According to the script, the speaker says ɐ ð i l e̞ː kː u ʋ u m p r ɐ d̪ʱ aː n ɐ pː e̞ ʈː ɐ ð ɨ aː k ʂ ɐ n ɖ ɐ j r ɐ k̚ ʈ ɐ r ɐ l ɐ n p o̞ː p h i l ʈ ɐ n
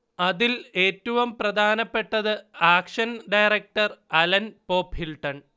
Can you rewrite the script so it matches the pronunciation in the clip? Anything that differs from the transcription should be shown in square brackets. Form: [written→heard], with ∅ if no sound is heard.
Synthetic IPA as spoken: ɐ ð i l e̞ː [kː→tː] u ʋ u m p r ɐ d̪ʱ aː n ɐ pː e̞ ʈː ɐ ð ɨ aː k ʂ ɐ n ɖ ɐ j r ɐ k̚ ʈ ɐ r ɐ l ɐ n p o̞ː p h i l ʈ ɐ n